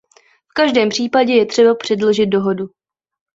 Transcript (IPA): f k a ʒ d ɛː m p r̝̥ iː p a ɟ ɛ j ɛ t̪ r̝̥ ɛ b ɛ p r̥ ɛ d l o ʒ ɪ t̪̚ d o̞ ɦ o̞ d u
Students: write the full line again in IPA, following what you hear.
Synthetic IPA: f k a ʒ d ɛː m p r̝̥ iː p a ɟ ɛ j ɛ t̪ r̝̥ ɛ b a p r̥ ɛ d l o ʒ ɪ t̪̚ d o̞ ɦ o̞ d u